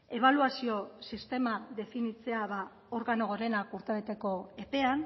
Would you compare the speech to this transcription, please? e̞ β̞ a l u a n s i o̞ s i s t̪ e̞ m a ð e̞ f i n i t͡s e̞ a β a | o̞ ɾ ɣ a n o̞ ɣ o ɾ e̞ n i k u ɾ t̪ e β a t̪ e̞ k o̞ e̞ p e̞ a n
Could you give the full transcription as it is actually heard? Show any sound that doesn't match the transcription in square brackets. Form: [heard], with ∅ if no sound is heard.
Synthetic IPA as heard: e̞ β̞ a l u a [∅] s i o̞ s i s t̪ e̞ m a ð e̞ f i n i t͡s e̞ a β a | o̞ ɾ ɣ a n o̞ ɣ o ɾ e̞ n [a] k u ɾ t̪ e β [e] t̪ e̞ k o̞ e̞ p e̞ a n